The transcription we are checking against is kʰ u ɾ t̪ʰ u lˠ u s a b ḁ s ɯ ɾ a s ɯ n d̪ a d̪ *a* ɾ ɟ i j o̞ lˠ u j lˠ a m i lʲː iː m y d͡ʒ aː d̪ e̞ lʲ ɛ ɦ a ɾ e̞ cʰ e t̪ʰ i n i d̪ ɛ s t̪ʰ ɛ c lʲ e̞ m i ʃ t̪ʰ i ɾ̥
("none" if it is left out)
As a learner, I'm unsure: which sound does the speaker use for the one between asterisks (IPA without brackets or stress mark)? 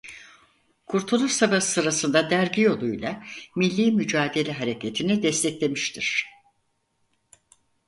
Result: æ